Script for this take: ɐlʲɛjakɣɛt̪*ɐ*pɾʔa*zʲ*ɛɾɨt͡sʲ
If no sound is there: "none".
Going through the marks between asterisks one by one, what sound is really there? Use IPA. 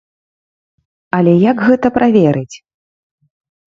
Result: ɐ, vʲ

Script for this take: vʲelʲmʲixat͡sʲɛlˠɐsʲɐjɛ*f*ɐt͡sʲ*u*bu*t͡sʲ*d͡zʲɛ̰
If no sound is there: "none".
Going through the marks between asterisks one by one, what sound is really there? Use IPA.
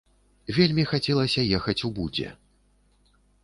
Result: x, u, none

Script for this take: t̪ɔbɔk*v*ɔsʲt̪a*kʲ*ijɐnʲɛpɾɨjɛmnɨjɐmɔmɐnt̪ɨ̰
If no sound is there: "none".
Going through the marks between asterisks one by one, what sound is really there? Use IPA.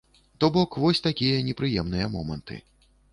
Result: v, kʲ

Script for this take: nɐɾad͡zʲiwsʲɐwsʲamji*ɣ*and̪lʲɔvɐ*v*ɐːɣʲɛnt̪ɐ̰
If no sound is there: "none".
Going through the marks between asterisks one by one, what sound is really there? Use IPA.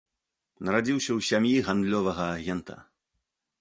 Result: ɣ, ɣ

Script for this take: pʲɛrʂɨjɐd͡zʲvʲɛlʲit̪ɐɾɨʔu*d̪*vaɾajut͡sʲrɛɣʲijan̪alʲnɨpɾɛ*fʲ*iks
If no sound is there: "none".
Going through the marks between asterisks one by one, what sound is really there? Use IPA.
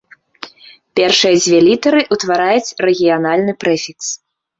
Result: t̪, fʲ

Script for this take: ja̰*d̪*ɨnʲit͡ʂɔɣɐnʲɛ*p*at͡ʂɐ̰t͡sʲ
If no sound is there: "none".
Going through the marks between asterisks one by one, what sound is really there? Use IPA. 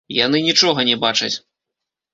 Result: n̪, b

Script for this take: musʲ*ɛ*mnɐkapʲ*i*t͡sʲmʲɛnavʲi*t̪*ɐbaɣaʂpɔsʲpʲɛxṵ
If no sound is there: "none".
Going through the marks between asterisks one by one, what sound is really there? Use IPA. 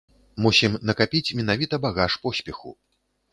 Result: i, i, t̪

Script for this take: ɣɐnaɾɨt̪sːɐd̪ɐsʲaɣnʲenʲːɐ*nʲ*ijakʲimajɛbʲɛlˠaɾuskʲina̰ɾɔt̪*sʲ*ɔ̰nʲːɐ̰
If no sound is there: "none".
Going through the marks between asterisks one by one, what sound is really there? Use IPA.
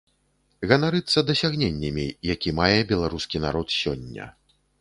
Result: mʲ, sʲ

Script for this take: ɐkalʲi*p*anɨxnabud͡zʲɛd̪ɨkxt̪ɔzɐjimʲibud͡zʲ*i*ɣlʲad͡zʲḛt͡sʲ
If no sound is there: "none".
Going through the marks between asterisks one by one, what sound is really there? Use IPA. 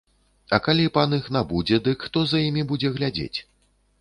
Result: p, ɛ

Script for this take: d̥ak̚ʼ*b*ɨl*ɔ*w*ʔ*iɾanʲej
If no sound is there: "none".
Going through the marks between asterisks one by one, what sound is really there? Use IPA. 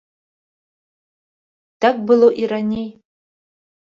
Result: b, o, ʔ

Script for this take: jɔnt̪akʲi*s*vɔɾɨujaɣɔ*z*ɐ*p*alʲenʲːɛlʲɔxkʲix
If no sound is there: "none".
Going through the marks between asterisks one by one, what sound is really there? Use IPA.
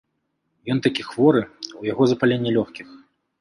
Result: x, z, p

